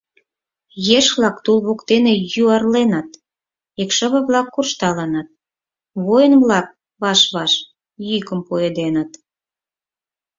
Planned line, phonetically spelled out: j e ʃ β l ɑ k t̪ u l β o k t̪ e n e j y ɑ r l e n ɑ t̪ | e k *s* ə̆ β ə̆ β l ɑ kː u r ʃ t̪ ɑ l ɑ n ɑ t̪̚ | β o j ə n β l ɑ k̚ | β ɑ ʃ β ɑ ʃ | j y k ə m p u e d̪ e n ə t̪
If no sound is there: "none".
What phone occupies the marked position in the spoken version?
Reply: ʃ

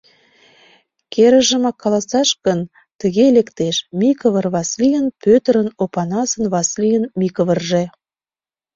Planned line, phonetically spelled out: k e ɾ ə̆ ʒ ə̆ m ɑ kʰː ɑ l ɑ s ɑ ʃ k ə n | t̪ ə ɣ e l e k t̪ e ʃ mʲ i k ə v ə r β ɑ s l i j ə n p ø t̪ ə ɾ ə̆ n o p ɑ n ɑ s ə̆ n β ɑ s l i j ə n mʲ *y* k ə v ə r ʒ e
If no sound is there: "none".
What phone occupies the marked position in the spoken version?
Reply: i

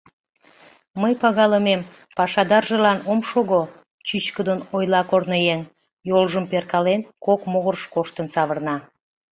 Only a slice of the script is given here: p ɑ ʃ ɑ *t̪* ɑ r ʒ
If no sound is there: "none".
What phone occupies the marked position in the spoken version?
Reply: d̪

